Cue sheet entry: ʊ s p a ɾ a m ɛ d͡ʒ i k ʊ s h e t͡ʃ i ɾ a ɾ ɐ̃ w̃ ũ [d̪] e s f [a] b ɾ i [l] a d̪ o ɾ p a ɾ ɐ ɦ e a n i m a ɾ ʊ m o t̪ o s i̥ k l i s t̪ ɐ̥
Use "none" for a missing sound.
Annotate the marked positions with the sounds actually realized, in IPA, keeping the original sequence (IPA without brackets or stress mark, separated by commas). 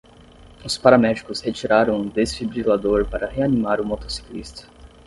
d̪, i, l